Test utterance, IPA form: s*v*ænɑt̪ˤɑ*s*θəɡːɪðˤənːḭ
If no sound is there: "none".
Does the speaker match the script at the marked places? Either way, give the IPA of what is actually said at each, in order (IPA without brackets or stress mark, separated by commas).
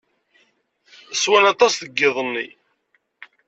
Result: w, s